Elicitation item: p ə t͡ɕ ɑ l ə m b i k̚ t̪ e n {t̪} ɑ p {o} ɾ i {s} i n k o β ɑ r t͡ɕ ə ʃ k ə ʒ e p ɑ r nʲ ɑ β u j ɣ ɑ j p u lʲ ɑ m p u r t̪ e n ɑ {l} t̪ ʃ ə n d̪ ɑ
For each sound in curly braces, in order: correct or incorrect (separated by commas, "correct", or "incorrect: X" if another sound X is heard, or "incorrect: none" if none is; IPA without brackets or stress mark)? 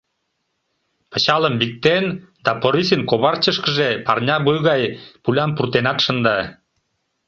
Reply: incorrect: d̪, correct, correct, incorrect: none